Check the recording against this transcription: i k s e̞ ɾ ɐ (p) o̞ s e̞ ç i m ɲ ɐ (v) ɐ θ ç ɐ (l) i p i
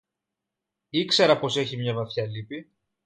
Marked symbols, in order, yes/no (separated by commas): yes, yes, yes